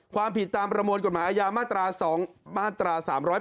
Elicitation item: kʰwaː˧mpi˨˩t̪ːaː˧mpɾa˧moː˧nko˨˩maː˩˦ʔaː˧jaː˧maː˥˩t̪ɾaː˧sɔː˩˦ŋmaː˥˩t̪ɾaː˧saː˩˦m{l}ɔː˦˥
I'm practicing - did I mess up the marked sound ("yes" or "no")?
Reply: yes